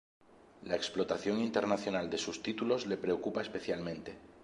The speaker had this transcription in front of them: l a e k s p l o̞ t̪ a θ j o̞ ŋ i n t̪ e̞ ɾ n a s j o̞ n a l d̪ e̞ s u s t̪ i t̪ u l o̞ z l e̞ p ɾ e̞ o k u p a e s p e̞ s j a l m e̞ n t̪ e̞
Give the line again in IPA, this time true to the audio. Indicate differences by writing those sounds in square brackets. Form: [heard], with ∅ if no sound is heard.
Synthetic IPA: l a e k s p l o̞ t̪ a θ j o̞ ŋ i n t̪ e̞ ɾ n a [θ] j o̞ n a l d̪ e̞ s u s t̪ i t̪ u l o̞ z l e̞ p ɾ e̞ o k u p a e s p e̞ [θ] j a l m [ẽ̞] n t̪ e̞